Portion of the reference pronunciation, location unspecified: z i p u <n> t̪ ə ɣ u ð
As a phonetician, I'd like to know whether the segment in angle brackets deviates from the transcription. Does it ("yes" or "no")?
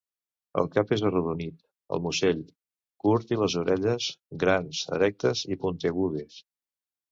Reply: no